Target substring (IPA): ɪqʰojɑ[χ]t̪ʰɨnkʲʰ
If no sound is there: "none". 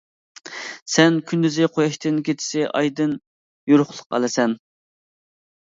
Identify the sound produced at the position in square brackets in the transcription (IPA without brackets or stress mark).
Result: ʃ